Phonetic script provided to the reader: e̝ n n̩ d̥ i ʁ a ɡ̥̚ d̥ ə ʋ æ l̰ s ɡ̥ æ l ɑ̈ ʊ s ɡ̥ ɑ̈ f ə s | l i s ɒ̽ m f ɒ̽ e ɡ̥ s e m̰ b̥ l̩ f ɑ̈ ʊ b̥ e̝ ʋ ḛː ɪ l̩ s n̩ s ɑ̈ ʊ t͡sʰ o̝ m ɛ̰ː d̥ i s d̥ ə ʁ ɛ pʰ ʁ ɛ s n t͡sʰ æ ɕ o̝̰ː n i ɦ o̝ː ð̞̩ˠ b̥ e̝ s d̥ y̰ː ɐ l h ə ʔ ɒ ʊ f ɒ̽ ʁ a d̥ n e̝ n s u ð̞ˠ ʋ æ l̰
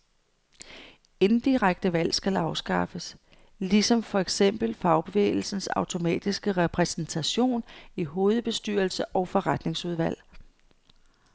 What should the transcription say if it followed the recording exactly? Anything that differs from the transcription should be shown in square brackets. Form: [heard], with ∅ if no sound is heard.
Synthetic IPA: e̝ n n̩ d̥ i ʁ a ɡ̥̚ d̥ ə ʋ æ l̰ s ɡ̥ æ l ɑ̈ ʊ s ɡ̥ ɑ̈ f ə s | l i s ɒ̽ m f ɒ̽ e ɡ̥ s e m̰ b̥ l̩ f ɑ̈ ʊ b̥ e̝ ʋ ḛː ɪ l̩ s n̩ s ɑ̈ ʊ t͡sʰ o̝ m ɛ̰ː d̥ i s [ɡ̥] ə ʁ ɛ pʰ ʁ ɛ s n t͡sʰ æ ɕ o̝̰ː n i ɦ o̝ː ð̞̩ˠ b̥ e̝ s d̥ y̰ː ɐ l [s] ə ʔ ɒ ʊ f ɒ̽ ʁ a d̥ n e̝ [ŋ] s u ð̞ˠ ʋ æ l̰